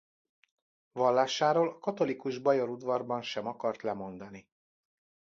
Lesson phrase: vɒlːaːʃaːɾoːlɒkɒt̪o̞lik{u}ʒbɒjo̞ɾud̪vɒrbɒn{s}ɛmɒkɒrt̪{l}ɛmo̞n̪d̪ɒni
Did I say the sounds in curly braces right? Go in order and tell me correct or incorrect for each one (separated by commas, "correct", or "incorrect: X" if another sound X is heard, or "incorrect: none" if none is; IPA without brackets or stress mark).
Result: correct, incorrect: ʃ, correct